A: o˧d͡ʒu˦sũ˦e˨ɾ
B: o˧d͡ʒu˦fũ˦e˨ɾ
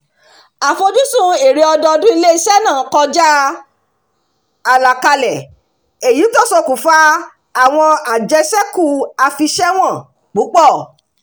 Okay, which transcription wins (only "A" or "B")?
A